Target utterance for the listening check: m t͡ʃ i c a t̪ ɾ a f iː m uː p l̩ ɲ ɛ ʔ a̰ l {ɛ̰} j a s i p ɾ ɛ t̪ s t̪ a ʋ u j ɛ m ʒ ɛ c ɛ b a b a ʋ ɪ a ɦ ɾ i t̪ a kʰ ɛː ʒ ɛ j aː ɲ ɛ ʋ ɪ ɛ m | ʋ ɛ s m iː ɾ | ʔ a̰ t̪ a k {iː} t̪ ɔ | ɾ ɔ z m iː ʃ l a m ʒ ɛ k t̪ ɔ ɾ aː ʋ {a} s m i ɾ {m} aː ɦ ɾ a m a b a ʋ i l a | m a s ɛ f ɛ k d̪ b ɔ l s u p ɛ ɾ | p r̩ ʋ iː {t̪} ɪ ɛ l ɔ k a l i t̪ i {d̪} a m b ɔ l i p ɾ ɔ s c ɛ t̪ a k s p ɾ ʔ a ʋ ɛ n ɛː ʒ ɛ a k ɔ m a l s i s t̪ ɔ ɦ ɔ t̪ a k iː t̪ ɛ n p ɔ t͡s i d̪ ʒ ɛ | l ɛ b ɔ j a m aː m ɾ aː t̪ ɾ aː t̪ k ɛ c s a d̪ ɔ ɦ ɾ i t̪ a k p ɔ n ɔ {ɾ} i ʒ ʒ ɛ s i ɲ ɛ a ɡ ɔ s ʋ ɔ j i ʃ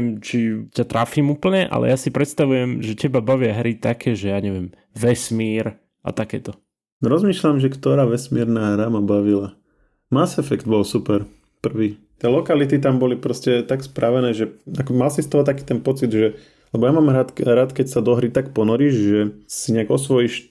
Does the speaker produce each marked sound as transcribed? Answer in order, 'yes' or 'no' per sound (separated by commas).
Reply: yes, no, no, no, yes, no, yes